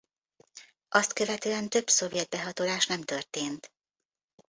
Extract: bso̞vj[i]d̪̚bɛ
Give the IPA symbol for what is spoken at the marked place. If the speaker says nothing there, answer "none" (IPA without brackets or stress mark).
ɛ